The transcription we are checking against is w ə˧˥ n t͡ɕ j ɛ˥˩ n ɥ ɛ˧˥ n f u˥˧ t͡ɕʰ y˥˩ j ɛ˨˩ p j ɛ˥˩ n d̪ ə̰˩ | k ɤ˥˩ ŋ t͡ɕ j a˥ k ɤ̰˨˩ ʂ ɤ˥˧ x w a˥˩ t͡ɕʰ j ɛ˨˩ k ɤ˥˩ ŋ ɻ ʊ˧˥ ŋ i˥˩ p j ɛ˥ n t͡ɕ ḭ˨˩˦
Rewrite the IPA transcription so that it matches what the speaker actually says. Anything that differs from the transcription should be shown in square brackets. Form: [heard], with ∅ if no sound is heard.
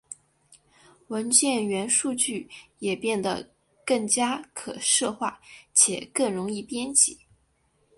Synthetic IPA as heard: w ə˧˥ n t͡ɕ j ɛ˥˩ n ɥ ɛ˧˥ n [ʂ] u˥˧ [t͡ɕ] y˥˩ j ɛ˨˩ p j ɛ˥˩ n d̪ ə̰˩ | k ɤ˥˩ ŋ t͡ɕ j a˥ [kʰ] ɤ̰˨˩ ʂ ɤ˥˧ x w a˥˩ t͡ɕʰ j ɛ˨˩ k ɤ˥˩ ŋ ɻ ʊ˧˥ ŋ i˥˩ p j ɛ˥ n t͡ɕ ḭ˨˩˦